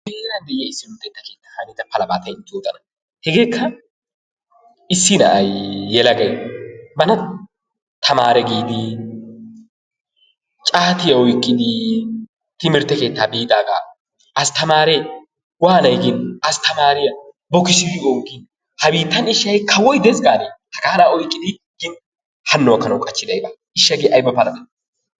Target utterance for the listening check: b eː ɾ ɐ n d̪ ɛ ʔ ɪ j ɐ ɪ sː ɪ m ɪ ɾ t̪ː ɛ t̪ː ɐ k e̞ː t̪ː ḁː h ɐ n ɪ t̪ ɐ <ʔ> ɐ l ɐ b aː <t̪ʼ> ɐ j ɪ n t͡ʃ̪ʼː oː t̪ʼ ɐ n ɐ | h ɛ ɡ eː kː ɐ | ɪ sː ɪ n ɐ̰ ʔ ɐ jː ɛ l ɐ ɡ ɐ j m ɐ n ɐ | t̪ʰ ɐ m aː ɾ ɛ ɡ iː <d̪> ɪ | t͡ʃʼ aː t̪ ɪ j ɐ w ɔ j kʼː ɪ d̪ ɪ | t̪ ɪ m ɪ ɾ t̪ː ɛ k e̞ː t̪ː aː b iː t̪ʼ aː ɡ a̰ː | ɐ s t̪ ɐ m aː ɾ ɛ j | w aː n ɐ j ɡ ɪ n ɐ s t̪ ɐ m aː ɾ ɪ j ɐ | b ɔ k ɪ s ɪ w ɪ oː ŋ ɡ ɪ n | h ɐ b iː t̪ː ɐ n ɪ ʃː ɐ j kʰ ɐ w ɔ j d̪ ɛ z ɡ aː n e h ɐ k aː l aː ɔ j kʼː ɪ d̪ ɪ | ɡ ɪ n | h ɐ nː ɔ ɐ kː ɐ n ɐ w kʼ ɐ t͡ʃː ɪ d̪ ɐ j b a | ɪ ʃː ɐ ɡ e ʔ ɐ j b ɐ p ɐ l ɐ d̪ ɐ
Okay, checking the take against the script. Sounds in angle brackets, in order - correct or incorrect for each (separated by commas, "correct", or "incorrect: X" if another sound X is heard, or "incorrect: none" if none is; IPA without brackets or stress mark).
incorrect: p, incorrect: t̪, correct